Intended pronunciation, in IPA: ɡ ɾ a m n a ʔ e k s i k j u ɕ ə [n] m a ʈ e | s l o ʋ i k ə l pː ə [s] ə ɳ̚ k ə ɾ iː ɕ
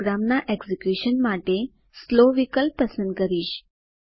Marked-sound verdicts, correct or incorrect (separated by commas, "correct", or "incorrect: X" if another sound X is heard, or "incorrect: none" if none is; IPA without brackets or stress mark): correct, correct